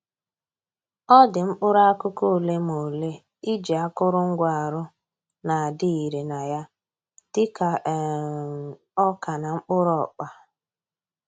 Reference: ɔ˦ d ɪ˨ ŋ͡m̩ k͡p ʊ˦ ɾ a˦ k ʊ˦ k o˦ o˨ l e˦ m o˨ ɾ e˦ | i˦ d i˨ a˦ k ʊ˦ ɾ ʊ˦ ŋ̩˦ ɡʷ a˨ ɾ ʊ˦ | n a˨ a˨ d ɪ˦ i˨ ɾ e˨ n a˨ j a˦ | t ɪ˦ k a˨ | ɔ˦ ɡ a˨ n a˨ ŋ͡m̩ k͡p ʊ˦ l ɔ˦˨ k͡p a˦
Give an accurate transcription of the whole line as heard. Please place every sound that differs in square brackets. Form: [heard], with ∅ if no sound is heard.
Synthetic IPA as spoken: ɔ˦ d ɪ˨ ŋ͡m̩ k͡p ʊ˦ ɾ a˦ k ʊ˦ k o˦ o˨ l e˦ m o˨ [l] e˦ | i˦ [d͡ʒ] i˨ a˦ k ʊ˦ ɾ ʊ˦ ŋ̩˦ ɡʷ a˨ ɾ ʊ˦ | n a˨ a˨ d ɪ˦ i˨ ɾ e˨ n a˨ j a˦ | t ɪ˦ k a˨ | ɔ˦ [k] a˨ n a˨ ŋ͡m̩ k͡p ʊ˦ [ɾ] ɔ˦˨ k͡p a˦